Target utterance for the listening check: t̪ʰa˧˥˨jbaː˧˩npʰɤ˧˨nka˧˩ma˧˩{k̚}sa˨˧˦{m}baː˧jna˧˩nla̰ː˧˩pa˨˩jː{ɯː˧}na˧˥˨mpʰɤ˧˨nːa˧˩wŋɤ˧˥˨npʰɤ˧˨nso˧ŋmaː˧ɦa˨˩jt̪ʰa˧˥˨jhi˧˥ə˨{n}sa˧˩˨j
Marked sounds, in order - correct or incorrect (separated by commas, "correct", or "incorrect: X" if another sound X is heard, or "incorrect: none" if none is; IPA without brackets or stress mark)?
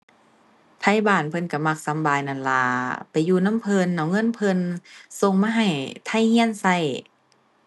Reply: correct, correct, incorrect: uː˧, correct